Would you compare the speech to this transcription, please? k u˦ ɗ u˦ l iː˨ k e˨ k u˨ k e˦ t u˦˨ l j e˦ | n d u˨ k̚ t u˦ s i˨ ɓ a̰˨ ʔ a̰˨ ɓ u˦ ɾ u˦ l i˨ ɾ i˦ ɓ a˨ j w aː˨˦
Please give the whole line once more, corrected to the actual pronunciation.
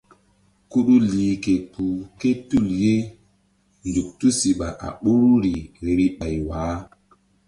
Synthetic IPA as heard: k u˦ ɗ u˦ l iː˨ k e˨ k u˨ k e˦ t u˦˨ l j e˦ | n d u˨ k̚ t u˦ s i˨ ɓ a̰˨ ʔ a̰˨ ɓ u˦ ɾ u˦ ɾ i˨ ɾ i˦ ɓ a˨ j w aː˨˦